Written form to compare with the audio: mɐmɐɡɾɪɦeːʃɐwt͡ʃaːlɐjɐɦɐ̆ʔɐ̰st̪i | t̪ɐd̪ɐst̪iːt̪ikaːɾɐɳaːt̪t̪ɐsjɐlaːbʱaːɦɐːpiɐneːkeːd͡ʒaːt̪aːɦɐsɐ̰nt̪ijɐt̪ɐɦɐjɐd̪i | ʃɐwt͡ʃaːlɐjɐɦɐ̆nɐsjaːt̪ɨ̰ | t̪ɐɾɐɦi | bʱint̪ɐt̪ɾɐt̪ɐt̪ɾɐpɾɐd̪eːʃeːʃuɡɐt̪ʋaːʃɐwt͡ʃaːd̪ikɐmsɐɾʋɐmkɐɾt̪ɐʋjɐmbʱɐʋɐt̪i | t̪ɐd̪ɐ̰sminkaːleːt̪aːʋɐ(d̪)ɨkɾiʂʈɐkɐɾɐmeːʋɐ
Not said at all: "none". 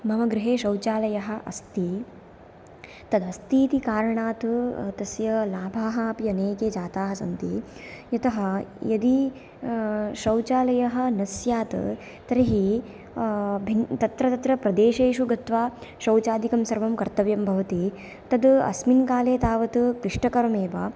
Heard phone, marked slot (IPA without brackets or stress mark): t̪